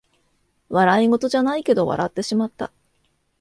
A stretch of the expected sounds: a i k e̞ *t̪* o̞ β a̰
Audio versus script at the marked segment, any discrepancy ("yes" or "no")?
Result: yes